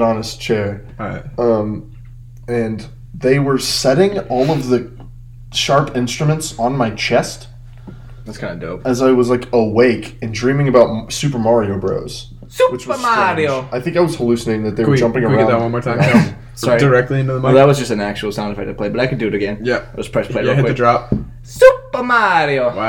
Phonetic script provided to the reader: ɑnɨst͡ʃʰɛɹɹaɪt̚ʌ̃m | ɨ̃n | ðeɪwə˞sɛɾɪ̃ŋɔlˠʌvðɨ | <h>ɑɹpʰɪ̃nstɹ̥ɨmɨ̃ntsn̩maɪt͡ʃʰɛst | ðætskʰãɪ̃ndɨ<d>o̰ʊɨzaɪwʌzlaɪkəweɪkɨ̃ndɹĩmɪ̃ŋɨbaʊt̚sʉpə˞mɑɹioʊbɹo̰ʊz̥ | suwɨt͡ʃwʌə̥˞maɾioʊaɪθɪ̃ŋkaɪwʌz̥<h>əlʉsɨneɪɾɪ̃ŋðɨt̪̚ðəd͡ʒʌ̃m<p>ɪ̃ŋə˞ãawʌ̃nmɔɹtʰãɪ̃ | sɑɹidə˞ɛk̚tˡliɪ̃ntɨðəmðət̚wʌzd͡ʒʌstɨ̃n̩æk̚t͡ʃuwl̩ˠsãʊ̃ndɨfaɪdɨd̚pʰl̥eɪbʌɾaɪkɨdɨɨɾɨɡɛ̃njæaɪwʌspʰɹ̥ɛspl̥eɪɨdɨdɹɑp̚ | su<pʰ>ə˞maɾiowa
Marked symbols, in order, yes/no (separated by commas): no, yes, yes, yes, no